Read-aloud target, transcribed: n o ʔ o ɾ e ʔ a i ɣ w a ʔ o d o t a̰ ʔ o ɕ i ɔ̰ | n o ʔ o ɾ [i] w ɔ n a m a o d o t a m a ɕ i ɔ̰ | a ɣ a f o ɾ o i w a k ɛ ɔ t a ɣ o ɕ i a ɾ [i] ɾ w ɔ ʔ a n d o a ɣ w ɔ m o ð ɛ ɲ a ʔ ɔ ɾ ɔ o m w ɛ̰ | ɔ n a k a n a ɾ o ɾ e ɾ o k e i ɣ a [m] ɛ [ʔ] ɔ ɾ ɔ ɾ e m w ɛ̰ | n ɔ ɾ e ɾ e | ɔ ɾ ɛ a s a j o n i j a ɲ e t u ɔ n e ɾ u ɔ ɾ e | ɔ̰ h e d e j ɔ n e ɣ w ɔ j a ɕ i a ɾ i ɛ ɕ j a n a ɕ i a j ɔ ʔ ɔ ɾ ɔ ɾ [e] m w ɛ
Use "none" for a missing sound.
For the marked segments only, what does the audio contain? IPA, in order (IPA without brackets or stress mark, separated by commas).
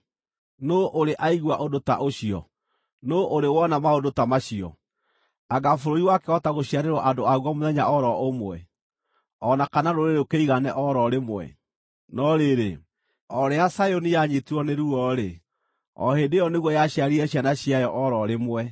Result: e, e, n, ʔ, e